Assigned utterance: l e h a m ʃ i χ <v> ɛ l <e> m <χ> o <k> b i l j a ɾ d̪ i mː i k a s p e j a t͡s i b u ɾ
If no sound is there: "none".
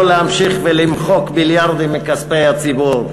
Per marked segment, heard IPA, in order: v, i, χ, k

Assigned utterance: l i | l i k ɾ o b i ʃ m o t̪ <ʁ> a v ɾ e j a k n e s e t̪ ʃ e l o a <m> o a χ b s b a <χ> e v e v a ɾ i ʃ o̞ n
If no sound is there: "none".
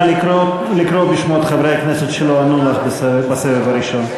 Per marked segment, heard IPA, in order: χ, n, s

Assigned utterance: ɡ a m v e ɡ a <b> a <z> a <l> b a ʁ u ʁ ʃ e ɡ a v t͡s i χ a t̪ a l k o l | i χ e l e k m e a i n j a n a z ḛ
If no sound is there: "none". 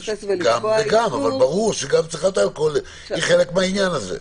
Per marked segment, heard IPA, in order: m, v, l

